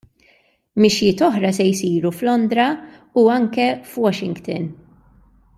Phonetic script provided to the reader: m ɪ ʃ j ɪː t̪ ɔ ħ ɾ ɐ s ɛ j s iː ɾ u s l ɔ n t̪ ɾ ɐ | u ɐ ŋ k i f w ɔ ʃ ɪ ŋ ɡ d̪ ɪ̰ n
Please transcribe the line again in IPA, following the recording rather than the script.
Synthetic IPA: m ɪ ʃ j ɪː t̪ ɔ ħ ɾ ɐ s ɛ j s iː ɾ u f l ɔ n d̪ ɾ ɐ | u ɐ ŋ k ɛ f w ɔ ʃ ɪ ŋ ɡ t̪ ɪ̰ n